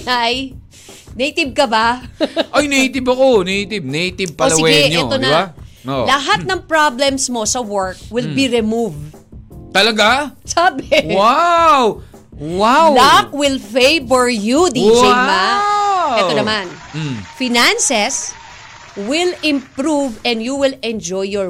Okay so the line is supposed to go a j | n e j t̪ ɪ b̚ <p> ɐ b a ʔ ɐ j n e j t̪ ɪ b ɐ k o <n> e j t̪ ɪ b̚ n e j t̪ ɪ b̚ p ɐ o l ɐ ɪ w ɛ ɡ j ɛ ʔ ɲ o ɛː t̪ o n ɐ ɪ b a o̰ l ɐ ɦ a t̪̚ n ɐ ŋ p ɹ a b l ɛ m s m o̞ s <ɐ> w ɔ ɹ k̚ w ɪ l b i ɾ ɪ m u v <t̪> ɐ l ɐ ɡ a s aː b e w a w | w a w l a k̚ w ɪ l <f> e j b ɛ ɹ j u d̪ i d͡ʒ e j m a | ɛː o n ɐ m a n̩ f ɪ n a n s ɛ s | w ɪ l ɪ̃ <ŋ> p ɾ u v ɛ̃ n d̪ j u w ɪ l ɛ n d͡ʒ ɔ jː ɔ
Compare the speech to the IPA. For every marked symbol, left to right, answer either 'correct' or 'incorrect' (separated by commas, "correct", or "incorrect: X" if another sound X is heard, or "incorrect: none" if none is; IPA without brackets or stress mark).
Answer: incorrect: k, correct, correct, correct, correct, incorrect: m